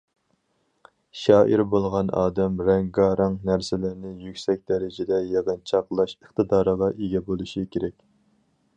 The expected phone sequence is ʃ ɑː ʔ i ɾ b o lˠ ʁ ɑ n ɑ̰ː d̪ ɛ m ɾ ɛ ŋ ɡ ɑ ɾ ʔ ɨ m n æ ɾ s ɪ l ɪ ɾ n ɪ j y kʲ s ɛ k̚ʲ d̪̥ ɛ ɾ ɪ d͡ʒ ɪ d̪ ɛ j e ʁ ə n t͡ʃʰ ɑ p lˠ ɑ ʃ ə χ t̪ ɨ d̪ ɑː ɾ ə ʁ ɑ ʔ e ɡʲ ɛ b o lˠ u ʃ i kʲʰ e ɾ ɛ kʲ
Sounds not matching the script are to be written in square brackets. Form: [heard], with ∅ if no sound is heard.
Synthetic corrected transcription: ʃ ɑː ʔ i ɾ b o lˠ ʁ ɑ n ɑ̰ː d̪ ɛ m ɾ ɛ ŋ ɡ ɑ ɾ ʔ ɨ [ŋ] n æ ɾ s ɪ l ɪ ɾ n ɪ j y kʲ s ɛ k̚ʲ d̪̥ ɛ ɾ ɪ d͡ʒ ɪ d̪ ɛ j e ʁ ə n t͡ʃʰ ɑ [q] lˠ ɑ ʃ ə χ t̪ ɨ d̪ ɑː ɾ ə ʁ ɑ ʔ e ɡʲ ɛ b o lˠ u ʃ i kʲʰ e ɾ ɛ kʲ